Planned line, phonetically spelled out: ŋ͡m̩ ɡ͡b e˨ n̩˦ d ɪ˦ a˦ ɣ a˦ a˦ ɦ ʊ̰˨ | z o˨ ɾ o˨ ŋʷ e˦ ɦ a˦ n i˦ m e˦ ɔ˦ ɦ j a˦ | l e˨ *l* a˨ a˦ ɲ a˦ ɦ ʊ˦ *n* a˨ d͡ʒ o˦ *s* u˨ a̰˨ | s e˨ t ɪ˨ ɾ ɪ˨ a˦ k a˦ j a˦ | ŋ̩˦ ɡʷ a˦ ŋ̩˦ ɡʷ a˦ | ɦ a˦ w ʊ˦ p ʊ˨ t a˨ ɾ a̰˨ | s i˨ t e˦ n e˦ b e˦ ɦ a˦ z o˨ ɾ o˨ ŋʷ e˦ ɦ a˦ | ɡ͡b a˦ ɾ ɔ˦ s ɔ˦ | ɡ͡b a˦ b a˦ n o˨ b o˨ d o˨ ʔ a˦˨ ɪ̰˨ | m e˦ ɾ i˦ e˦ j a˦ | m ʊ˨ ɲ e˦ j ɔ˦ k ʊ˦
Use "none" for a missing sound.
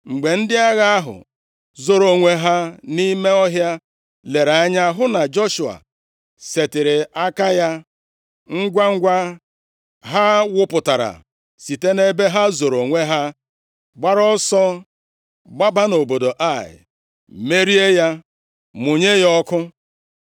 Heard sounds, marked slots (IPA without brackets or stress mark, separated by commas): ɾ, n, ʃ